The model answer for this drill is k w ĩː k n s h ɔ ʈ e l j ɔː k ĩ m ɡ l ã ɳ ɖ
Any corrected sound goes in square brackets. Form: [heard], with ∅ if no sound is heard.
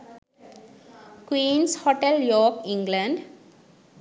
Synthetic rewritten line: k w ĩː [∅] n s h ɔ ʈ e l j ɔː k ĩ [ŋ] ɡ l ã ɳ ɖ